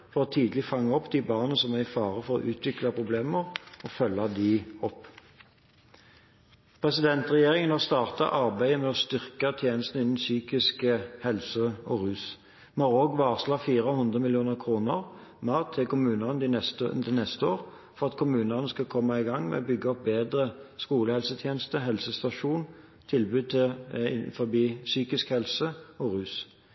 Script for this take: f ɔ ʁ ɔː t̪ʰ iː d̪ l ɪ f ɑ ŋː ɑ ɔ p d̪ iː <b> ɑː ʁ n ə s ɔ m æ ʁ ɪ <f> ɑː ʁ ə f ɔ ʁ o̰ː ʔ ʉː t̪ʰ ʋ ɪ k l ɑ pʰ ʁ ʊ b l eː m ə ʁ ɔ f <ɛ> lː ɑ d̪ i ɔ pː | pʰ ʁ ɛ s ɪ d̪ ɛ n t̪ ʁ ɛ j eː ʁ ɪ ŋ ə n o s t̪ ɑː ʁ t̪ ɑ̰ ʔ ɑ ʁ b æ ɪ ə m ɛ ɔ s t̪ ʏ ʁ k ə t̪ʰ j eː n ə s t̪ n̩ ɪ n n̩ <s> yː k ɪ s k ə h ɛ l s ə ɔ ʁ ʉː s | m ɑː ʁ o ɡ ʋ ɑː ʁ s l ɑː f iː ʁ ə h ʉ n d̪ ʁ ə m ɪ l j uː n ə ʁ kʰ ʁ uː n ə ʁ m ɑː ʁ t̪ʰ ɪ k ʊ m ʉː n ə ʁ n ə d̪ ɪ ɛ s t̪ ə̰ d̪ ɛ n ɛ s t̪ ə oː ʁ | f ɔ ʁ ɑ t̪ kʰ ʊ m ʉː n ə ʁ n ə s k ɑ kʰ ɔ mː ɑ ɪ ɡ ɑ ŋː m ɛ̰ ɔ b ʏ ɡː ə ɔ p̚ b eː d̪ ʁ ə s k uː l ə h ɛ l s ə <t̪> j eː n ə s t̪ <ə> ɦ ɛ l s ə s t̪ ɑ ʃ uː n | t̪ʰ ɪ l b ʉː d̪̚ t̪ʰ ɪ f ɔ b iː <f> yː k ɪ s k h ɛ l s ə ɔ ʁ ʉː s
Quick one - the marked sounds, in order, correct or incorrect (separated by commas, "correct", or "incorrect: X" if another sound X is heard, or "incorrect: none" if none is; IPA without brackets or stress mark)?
correct, correct, incorrect: œ, correct, incorrect: t̪ʰ, correct, incorrect: s